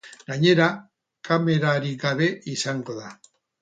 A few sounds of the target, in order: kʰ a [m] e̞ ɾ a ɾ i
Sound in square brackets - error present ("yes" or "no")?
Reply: no